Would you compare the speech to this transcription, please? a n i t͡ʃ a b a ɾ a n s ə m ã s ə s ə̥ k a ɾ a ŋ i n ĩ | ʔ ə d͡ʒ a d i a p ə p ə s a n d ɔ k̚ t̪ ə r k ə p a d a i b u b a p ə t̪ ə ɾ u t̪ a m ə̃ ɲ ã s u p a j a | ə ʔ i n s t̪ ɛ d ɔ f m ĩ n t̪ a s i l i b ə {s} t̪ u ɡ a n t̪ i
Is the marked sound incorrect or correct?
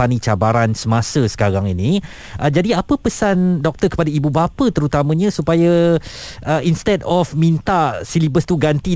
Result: correct